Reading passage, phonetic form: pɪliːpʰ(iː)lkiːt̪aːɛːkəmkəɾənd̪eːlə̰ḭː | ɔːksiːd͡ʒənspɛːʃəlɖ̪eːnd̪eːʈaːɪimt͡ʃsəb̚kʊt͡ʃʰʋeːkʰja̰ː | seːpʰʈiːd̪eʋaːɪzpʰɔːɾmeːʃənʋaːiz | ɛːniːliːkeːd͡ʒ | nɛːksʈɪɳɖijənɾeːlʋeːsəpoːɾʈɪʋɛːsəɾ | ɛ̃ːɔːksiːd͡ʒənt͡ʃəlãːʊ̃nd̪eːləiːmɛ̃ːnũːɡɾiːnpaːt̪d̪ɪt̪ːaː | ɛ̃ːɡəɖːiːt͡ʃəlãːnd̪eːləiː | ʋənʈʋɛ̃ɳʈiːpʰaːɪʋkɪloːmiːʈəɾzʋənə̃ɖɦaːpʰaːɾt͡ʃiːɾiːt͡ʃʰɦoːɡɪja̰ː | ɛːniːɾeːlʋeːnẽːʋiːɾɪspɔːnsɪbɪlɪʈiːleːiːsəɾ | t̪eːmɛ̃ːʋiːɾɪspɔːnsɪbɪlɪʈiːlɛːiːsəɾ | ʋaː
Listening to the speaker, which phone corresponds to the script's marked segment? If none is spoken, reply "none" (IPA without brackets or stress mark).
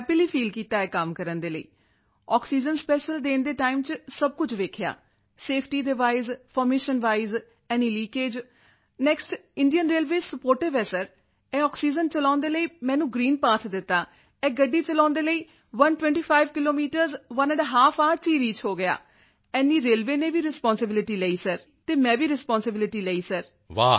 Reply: iː